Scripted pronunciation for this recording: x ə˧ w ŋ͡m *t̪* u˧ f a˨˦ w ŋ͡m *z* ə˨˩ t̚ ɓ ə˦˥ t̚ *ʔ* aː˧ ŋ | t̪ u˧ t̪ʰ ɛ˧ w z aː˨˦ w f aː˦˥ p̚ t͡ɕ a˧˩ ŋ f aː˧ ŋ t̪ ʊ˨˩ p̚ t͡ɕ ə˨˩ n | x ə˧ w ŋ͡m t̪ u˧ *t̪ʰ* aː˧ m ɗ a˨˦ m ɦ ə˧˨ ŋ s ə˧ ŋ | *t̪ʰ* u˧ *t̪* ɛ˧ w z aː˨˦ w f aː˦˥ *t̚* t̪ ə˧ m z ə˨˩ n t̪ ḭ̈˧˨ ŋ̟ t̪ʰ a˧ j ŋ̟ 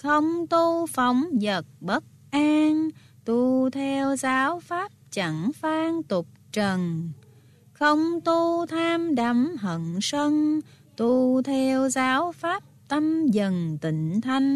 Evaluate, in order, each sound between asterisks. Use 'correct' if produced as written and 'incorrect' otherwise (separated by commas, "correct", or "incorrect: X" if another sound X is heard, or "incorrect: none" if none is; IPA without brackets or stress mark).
correct, correct, correct, correct, incorrect: t̪, incorrect: t̪ʰ, incorrect: p̚